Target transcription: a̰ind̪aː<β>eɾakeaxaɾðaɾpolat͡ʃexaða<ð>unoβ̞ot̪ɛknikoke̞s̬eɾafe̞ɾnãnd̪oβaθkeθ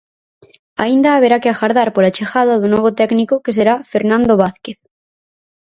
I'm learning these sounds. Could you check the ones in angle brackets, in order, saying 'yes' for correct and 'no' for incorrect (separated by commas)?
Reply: yes, yes